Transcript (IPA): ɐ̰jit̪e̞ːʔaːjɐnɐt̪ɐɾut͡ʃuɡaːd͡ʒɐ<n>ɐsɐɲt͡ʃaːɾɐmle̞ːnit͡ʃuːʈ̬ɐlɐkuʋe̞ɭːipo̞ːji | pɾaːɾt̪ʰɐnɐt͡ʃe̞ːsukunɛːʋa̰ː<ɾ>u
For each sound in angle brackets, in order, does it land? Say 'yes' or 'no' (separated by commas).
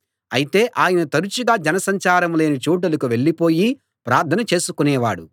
yes, no